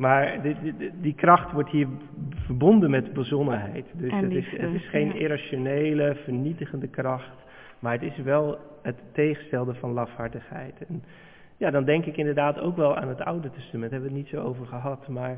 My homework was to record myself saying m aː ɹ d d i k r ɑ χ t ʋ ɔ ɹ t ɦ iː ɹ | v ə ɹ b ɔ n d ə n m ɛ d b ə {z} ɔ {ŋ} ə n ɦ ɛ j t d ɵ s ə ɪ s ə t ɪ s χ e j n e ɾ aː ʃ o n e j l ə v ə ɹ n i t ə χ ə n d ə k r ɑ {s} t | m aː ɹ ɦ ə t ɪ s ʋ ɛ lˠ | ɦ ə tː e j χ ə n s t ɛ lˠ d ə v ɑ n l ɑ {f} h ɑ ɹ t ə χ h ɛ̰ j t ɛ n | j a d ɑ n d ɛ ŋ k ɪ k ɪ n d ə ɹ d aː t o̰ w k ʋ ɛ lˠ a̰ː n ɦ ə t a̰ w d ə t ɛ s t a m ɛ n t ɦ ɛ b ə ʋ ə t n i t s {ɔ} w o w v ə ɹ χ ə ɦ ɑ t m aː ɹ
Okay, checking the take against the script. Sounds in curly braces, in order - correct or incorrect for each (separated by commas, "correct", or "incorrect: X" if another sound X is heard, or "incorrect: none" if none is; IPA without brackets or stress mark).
correct, incorrect: n, incorrect: χ, correct, incorrect: o